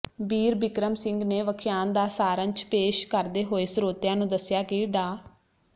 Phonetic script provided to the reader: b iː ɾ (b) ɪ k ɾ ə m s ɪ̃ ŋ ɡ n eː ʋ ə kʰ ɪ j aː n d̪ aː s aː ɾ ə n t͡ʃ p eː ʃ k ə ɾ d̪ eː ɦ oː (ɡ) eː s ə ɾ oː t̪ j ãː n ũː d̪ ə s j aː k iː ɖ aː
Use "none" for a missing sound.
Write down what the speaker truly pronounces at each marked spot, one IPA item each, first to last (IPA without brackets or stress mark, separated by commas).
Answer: b, none